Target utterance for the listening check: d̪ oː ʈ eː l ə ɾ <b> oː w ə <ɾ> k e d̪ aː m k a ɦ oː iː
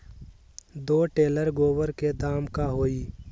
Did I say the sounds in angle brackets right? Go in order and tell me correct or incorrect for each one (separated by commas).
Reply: incorrect, correct